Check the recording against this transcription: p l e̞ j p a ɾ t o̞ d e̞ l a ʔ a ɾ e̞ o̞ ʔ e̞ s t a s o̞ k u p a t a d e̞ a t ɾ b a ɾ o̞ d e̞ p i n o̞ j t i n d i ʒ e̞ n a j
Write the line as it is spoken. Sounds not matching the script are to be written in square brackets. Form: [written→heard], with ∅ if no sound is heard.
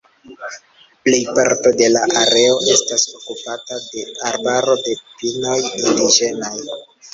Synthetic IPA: p l e̞ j p a ɾ t o̞ d e̞ l a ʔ a ɾ e̞ o̞ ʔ e̞ s t a s o̞ k u p a t a d e̞ a [t→∅] ɾ b a ɾ o̞ d e̞ p i n o̞ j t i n d i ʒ e̞ n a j